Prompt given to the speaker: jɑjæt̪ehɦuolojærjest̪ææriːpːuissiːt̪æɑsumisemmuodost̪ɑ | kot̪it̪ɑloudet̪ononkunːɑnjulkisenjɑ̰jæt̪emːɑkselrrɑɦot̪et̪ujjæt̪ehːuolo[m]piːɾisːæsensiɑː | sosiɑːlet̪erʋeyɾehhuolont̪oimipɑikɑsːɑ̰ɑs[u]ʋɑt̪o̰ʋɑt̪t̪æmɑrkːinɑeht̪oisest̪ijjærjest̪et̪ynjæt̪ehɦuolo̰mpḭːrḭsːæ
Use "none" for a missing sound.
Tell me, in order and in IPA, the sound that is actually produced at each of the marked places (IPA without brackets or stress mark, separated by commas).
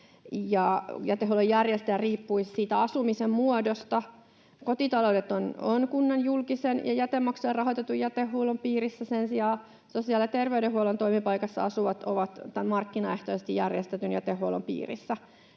m, u